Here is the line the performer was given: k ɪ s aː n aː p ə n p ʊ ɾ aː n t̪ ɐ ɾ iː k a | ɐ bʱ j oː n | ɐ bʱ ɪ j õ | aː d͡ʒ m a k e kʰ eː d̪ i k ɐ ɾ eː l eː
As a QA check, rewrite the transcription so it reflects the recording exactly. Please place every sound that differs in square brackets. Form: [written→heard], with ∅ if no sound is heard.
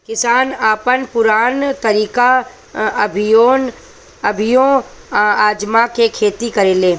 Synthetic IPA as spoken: k ɪ s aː n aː p ə n p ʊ ɾ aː n t̪ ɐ ɾ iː k a | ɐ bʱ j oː n | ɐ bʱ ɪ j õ | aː d͡ʒ m a k e kʰ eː [d̪→t̪] i k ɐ ɾ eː l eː